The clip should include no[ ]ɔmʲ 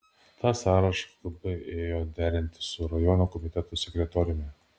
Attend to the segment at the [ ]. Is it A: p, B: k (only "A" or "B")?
B